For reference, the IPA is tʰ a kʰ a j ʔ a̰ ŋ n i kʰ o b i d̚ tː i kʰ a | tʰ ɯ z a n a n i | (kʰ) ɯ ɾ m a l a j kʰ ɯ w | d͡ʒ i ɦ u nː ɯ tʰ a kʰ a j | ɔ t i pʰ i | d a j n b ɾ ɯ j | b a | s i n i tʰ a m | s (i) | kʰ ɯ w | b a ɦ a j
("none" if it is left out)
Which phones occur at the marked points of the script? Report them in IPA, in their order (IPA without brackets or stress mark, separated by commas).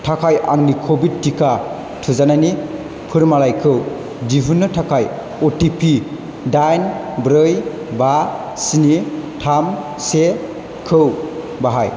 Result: pʰ, e